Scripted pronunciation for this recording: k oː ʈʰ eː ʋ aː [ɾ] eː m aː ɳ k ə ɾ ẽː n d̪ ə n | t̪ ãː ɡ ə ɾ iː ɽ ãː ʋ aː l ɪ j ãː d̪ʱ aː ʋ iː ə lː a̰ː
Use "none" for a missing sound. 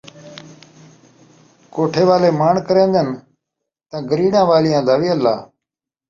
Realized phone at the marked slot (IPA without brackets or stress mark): l